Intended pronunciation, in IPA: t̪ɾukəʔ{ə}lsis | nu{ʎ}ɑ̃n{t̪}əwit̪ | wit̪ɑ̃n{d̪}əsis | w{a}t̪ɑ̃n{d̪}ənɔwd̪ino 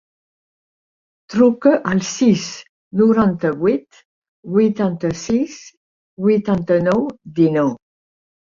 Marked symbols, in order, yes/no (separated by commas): no, no, yes, no, no, no